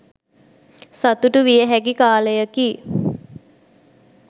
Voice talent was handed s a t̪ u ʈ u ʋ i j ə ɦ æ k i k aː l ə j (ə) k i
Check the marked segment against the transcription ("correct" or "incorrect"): correct